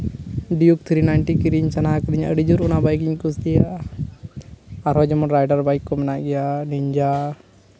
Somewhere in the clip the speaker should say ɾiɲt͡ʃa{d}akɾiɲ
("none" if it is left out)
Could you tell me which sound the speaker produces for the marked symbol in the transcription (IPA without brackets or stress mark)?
n